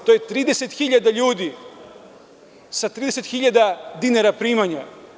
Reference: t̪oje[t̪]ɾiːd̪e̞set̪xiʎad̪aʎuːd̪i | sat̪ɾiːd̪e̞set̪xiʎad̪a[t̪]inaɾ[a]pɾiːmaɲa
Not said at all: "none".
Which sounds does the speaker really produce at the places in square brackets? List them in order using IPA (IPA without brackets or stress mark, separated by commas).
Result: t̪, d̪, a